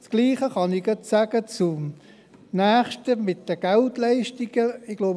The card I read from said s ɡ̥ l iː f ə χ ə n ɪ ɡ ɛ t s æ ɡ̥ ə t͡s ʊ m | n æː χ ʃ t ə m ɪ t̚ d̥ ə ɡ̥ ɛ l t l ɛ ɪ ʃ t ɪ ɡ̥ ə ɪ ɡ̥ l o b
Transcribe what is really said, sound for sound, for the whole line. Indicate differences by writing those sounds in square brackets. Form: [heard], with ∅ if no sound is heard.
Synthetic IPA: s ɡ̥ l iː [χ] ə χ [ɑ] n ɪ ɡ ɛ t s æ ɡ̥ ə t͡s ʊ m | n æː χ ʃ t ə m ɪ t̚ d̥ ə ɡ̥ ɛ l t l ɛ ɪ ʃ t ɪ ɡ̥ ə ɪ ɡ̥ l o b